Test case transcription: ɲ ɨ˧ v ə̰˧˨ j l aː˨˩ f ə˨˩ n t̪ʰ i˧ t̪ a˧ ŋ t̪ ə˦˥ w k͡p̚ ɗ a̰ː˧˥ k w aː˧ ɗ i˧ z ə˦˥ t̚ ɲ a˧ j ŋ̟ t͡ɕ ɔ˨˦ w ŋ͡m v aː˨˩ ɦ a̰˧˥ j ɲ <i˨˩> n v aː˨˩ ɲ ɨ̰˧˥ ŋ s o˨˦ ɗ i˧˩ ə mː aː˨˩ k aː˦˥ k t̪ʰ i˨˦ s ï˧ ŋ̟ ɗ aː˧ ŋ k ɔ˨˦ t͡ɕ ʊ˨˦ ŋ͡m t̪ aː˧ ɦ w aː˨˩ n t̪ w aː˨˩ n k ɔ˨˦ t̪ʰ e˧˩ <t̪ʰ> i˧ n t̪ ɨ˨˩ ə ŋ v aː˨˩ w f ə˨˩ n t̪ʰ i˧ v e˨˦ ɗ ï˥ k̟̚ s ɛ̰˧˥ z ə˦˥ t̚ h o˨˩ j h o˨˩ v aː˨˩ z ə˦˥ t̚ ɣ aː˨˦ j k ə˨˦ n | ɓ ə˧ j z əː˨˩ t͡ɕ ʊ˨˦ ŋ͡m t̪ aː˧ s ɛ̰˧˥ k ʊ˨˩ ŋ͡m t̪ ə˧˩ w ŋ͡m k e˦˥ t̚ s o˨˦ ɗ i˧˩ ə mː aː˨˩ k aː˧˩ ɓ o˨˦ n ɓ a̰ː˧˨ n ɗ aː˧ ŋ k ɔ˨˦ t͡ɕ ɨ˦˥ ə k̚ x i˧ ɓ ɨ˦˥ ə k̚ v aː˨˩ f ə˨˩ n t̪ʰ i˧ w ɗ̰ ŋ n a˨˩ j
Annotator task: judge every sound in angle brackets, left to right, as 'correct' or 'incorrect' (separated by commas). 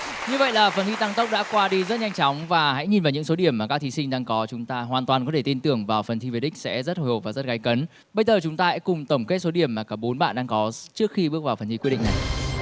correct, incorrect